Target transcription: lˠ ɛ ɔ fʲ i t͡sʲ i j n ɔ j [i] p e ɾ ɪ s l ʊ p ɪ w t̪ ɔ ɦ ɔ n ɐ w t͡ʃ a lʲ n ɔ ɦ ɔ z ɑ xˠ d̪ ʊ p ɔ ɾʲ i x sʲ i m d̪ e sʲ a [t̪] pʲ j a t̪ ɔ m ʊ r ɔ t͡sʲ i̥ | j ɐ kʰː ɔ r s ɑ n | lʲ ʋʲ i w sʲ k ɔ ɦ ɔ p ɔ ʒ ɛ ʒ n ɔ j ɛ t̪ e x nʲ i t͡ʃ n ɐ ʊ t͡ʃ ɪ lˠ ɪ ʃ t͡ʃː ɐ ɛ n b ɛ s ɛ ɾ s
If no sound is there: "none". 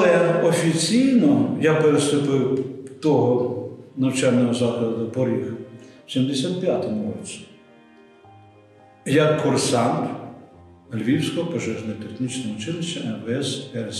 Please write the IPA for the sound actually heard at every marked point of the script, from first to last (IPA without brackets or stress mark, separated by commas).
a, t̪